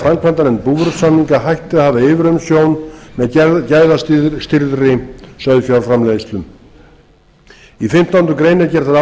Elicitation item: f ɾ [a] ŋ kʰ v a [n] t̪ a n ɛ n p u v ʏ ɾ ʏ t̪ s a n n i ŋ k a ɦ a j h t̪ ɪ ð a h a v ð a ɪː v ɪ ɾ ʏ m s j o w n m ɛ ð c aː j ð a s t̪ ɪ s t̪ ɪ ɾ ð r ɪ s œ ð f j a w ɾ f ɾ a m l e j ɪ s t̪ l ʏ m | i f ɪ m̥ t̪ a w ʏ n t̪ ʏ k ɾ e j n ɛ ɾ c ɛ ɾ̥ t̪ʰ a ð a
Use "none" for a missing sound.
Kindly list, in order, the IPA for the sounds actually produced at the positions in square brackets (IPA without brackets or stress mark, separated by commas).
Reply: a, n